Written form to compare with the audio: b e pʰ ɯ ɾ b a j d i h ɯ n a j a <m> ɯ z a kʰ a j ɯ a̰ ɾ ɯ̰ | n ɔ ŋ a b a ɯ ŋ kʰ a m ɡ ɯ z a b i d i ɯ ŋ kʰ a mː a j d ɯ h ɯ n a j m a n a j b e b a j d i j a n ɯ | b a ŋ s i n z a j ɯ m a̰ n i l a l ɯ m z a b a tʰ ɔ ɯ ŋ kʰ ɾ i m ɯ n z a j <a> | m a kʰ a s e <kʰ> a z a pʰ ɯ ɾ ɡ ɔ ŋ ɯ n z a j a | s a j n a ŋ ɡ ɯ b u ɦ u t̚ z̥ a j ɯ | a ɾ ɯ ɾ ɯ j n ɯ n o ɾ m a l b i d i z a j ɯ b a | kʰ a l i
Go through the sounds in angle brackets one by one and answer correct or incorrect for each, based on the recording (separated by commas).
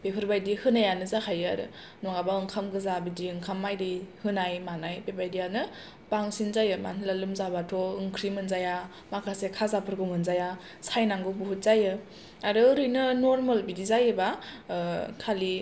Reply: incorrect, correct, correct